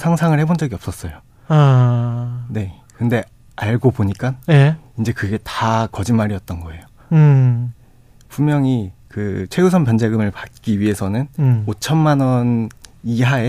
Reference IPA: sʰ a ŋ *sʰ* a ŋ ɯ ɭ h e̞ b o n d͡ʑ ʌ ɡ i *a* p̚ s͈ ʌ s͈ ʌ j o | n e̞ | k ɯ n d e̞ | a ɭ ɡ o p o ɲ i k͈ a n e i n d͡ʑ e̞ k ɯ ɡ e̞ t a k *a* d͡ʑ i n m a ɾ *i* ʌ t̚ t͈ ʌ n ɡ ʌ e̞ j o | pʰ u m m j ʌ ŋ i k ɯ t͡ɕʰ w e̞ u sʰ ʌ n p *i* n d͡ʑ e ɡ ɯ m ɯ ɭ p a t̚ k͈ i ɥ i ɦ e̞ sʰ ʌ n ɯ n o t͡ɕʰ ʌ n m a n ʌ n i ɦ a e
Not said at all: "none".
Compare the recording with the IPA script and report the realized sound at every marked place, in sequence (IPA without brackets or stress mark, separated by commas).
sʰ, ʌ, ʌ, i, a